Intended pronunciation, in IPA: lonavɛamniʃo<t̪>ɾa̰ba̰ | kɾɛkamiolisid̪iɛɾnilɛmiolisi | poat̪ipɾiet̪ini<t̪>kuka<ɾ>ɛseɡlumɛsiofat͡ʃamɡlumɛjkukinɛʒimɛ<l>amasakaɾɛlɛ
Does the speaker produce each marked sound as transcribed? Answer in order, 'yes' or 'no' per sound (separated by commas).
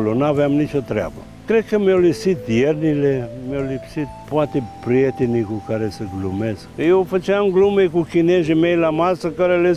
yes, no, yes, yes